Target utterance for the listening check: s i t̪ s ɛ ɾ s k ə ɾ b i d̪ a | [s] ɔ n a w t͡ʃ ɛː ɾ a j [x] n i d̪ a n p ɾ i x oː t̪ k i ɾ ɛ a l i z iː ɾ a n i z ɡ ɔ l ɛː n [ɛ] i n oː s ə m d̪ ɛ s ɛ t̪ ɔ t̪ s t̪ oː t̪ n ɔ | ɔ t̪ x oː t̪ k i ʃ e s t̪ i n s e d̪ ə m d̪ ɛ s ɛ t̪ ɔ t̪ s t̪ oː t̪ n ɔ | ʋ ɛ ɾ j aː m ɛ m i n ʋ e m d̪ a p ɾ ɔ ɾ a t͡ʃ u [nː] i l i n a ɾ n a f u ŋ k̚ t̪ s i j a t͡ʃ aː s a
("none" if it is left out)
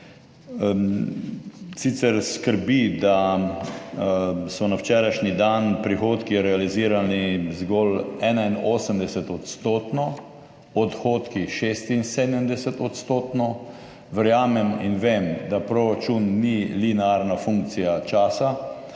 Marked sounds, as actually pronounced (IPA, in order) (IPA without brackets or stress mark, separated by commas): s, ʃ, a, nː